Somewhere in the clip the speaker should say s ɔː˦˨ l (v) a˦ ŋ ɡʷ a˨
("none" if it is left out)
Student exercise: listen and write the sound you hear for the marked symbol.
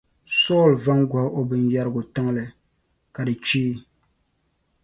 v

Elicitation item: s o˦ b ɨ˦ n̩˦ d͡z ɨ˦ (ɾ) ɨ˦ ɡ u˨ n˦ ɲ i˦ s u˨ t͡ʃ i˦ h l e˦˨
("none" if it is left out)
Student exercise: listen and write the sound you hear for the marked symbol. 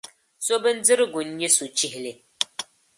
ɾ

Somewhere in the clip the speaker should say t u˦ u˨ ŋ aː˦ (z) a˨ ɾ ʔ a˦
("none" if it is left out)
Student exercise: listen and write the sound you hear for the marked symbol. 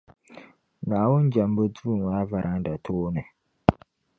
v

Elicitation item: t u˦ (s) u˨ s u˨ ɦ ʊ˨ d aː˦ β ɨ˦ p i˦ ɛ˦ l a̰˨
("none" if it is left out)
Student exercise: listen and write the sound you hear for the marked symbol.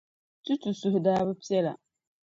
t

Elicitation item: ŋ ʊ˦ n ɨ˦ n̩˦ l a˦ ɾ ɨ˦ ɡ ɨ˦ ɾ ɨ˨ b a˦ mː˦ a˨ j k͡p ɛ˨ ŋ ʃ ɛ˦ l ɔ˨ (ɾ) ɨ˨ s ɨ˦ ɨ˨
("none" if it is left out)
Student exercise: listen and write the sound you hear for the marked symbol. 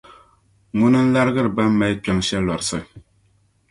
ɾ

